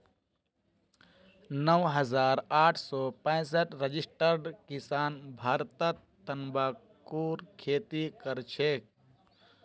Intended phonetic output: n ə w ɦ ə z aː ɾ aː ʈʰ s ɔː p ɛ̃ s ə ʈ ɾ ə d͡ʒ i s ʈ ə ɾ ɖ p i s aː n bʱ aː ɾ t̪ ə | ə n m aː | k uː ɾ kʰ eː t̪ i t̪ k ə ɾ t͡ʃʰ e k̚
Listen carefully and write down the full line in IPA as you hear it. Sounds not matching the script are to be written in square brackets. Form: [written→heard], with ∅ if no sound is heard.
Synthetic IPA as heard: n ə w ɦ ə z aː ɾ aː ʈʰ s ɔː p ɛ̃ s ə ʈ ɾ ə d͡ʒ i s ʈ ə ɾ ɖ [p→k] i s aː n bʱ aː ɾ t̪ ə | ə n [m→b] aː | k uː ɾ kʰ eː t̪ i [t̪→∅] k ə ɾ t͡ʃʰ e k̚